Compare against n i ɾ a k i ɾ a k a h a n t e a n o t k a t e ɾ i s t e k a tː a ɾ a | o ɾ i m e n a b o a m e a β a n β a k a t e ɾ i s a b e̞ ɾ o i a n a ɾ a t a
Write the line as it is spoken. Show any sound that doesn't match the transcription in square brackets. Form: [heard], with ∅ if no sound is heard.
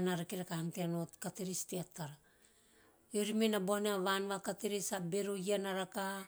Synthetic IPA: n [a] ɾ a k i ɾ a k a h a n t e a n o t k a t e ɾ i s t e [∅] a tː a ɾ a | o ɾ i m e n a b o a [n] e a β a n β a k a t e ɾ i s a b e̞ ɾ o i a n a ɾ a [k] a